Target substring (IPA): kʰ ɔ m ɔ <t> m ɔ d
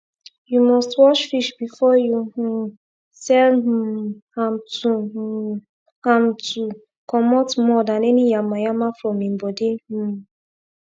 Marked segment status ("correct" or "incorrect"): correct